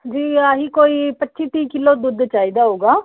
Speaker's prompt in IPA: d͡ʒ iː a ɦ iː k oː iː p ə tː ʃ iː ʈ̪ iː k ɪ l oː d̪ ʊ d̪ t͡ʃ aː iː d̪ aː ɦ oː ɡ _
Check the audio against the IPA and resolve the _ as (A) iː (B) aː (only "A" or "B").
B